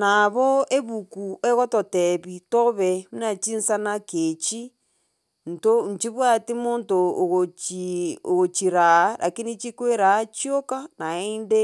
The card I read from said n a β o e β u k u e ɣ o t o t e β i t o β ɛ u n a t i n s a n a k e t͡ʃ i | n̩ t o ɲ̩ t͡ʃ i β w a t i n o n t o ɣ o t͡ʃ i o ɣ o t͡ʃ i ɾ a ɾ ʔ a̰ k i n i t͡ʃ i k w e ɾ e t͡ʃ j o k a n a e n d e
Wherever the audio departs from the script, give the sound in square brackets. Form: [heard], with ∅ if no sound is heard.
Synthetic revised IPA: n a β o e β u k u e ɣ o t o t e β i t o β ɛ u n a [t͡ʃ] i n s a n a k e t͡ʃ i | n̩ t o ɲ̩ t͡ʃ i β w a t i [m] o n t o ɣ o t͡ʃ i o ɣ o t͡ʃ i ɾ a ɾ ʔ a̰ k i n i t͡ʃ i k w e ɾ [a] t͡ʃ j o k a n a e n d e